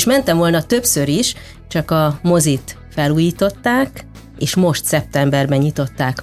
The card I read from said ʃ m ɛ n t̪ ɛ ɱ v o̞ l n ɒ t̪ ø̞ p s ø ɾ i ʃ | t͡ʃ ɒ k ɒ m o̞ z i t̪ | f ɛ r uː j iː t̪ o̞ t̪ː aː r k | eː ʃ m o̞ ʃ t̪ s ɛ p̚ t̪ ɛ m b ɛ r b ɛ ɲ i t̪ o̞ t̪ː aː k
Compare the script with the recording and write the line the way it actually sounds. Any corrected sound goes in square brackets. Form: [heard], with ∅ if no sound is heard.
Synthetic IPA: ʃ m ɛ n t̪ ɛ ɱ v o̞ l n ɒ t̪ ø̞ p s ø ɾ i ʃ | t͡ʃ ɒ k ɒ m o̞ z i t̪ | f ɛ [l] uː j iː t̪ o̞ t̪ː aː [∅] k | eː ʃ m o̞ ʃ t̪ s ɛ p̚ t̪ ɛ m b ɛ r b ɛ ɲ i t̪ o̞ t̪ː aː k